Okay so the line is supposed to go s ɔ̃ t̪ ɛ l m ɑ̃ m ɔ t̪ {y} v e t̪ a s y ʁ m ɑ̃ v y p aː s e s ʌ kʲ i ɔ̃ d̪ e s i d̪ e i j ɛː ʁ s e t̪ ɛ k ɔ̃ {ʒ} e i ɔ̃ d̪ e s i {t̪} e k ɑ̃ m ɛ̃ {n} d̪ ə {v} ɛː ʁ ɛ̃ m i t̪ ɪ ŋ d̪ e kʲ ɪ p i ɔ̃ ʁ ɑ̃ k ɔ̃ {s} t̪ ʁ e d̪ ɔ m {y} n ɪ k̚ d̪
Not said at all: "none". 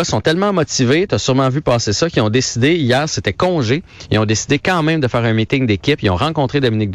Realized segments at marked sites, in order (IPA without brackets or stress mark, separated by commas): i, ʒ, d̪, m, f, none, i